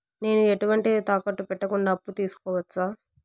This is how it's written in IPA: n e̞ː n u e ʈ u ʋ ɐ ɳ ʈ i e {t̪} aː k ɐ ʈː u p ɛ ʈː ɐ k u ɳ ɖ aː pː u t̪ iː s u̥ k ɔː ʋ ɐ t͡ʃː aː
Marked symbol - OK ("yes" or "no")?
yes